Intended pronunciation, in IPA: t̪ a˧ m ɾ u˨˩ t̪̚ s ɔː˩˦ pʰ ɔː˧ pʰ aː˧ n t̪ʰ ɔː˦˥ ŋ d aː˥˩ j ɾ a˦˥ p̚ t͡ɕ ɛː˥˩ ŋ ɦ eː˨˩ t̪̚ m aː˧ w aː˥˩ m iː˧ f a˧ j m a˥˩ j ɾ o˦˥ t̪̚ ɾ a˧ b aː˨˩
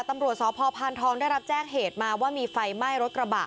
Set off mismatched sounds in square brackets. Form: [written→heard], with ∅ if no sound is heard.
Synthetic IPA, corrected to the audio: t̪ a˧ m ɾ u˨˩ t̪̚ s ɔː˩˦ pʰ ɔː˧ pʰ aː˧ n t̪ʰ ɔː˦˥ ŋ d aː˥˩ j ɾ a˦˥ p̚ t͡ɕ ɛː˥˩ ŋ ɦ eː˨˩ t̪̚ m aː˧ w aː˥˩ m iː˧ f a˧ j m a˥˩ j ɾ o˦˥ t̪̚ ɾ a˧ b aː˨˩